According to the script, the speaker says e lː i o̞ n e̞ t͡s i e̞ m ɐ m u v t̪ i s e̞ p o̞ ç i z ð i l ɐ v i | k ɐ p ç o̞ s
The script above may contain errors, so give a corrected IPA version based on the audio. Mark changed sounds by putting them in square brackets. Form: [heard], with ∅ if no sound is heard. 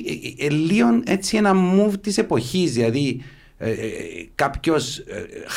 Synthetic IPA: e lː i o̞ n e̞ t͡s i e̞ [n] ɐ m u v t̪ i s e̞ p o̞ ç i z ð i l ɐ [ð] i | k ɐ p ç o̞ s